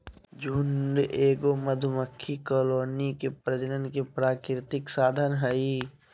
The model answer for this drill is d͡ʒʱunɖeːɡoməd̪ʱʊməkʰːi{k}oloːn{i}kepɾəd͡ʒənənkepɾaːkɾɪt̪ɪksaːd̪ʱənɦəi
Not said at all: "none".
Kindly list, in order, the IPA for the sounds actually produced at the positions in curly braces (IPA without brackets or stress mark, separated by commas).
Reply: k, i